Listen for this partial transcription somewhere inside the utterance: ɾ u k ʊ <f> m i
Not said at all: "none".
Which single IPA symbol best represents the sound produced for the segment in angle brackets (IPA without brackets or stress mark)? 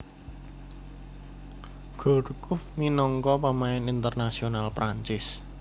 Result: f